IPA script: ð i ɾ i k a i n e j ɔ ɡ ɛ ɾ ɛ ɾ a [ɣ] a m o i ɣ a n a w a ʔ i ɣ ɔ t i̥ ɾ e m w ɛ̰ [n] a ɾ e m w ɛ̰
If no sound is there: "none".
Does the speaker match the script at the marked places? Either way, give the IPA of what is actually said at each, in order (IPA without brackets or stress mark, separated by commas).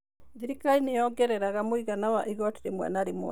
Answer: ɣ, n